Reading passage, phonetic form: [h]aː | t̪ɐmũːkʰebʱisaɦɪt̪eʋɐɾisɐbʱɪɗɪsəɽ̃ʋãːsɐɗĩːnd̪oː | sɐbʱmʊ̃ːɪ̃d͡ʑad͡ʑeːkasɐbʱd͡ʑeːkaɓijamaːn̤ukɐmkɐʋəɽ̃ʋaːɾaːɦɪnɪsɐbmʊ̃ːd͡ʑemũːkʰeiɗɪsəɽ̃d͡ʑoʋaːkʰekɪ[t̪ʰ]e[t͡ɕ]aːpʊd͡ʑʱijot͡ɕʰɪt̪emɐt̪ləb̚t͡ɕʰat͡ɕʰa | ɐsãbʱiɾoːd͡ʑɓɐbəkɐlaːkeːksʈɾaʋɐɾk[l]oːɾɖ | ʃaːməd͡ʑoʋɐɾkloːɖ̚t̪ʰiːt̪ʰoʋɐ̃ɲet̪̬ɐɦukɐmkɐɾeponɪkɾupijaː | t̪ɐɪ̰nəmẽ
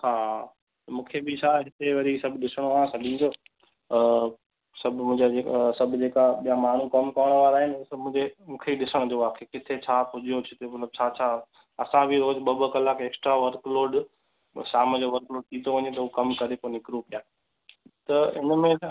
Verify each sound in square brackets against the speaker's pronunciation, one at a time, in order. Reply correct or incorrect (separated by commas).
correct, correct, incorrect, correct